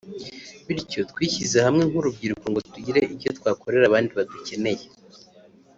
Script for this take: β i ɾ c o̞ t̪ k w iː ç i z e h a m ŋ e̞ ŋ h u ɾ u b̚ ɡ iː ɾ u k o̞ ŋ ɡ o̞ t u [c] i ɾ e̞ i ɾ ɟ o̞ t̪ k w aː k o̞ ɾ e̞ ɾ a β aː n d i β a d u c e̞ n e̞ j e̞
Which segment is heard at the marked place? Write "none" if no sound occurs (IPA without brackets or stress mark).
ɟ